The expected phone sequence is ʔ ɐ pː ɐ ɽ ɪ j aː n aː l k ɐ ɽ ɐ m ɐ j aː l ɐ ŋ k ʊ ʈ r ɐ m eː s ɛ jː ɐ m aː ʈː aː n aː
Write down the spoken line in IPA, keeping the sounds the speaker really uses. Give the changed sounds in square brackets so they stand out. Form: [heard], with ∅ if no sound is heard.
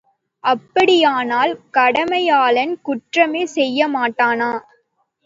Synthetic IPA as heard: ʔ ɐ pː ɐ ɽ ɪ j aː n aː l k ɐ ɽ ɐ m ɐ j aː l ɐ [n] k ʊ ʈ r ɐ m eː s ɛ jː ɐ m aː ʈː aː n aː